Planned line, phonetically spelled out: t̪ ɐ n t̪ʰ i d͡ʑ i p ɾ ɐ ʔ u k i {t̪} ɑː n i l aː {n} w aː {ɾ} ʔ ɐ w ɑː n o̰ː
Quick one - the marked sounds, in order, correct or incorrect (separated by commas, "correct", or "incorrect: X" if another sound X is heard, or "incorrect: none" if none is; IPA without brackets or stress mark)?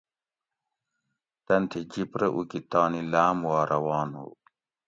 correct, incorrect: m, correct